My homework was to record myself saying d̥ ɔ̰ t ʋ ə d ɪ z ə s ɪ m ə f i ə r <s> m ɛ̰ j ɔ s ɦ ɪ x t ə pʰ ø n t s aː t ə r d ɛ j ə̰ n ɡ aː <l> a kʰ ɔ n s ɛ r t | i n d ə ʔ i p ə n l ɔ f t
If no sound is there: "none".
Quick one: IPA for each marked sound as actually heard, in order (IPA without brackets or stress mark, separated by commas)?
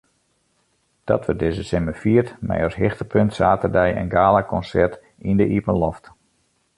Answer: t, l